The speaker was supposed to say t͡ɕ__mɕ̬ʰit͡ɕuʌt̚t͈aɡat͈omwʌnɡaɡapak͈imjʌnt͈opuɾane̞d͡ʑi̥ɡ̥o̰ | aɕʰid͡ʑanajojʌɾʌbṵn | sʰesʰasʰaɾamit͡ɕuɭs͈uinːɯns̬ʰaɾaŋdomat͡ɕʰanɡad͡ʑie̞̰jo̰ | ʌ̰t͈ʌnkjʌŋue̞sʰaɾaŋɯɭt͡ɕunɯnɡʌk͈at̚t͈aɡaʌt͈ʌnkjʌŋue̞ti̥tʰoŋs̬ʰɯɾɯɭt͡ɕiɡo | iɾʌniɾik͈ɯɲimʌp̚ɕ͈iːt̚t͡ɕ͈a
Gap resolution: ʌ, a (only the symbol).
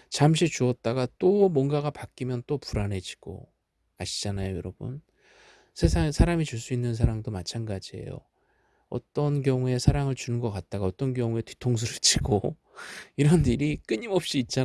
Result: a